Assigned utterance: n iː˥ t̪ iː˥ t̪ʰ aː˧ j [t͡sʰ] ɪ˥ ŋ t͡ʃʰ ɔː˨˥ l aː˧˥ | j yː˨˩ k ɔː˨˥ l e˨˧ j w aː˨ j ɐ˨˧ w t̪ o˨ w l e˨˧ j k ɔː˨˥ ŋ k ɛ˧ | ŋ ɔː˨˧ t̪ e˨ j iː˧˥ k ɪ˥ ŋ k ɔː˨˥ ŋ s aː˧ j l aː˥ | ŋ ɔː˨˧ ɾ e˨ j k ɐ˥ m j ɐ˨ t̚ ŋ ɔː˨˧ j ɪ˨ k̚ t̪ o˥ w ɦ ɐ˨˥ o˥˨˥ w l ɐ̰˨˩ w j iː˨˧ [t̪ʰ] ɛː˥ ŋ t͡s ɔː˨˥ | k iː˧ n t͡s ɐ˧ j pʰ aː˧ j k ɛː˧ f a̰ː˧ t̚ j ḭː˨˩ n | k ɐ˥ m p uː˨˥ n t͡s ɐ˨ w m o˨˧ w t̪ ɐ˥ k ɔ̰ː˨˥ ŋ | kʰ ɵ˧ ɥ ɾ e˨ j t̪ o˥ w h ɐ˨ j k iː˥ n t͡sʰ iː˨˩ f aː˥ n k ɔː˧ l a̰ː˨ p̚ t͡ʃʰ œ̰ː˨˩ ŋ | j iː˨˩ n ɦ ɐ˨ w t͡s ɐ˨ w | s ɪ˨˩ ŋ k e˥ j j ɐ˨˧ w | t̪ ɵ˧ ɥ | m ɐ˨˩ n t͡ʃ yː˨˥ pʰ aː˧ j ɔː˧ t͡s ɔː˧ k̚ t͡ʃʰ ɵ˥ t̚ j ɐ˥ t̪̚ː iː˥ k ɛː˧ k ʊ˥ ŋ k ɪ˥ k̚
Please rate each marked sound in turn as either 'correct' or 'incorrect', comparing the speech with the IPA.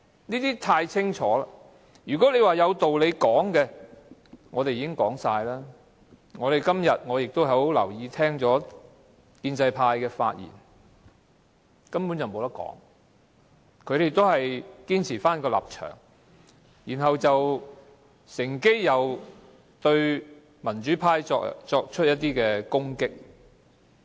correct, correct

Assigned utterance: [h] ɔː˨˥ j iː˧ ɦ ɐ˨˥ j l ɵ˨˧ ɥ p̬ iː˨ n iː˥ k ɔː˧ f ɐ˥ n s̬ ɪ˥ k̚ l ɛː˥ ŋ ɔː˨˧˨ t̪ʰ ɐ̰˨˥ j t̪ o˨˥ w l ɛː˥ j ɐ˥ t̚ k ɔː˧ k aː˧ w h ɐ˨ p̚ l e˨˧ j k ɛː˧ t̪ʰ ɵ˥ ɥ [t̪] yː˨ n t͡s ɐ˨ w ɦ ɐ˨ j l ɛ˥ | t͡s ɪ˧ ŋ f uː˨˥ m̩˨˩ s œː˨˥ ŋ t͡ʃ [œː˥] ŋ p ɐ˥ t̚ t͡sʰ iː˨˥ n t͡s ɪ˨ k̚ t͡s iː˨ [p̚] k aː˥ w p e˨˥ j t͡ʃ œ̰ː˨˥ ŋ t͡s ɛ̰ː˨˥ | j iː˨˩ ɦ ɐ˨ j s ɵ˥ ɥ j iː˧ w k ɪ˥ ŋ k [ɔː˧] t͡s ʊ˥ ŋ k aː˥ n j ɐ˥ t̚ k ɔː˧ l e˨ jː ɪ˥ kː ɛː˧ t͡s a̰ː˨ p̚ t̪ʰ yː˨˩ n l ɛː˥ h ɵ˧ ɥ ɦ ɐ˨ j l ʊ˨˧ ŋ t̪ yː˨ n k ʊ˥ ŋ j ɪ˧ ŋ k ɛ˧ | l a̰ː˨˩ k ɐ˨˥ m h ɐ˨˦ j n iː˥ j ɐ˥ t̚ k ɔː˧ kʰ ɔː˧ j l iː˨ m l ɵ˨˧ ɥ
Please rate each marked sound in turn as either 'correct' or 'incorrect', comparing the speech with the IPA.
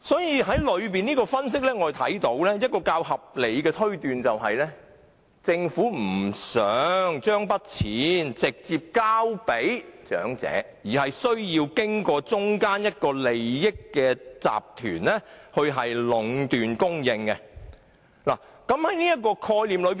incorrect: s, correct, correct, correct, correct

